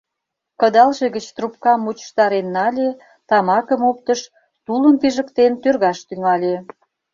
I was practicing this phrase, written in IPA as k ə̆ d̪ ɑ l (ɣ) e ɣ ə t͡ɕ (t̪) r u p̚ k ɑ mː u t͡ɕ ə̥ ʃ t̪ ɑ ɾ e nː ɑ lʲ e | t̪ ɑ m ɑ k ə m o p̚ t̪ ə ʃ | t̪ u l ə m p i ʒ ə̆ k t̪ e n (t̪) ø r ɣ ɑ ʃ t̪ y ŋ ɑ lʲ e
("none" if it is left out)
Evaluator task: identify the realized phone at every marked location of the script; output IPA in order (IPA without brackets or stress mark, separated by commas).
ʒ, t̪, t̪